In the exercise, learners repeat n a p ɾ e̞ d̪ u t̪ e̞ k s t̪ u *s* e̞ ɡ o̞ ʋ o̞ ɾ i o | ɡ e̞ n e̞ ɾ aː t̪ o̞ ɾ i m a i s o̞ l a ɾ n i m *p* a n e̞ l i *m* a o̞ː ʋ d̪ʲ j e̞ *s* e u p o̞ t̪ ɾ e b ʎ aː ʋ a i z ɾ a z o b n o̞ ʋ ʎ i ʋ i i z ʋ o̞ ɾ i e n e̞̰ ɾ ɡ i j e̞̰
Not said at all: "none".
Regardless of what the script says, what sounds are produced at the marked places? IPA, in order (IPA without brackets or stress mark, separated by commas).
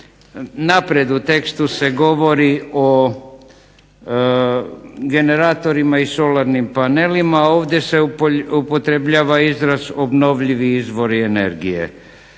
s, p, m, s